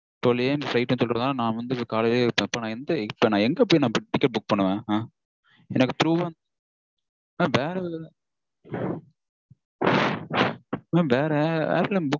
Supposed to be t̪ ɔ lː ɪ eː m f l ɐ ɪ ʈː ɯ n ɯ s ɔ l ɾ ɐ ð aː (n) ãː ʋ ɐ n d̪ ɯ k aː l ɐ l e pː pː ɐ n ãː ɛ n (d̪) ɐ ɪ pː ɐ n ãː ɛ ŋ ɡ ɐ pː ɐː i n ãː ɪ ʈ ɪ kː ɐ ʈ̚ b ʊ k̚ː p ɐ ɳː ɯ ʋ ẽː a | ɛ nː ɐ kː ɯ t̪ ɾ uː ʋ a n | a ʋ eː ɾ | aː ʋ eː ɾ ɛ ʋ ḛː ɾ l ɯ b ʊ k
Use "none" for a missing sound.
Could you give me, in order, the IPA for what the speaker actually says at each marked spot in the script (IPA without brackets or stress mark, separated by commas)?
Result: n, d̪